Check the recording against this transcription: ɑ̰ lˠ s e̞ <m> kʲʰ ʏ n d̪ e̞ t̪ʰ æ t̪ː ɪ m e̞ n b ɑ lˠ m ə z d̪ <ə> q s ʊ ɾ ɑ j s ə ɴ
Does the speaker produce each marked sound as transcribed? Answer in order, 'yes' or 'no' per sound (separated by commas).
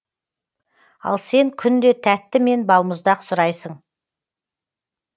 no, no